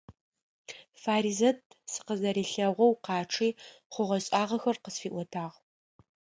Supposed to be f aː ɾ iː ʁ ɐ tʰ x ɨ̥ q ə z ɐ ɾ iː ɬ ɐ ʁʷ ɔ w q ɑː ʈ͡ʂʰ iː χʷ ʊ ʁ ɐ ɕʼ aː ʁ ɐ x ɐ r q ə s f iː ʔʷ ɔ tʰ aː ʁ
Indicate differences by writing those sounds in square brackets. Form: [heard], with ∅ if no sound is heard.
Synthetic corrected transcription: f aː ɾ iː [z] ɐ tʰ [s] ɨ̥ q ə z ɐ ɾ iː ɬ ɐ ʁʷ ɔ w q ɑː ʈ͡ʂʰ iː χʷ ʊ ʁ ɐ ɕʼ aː ʁ ɐ x ɐ r q ə s f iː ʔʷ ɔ tʰ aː ʁ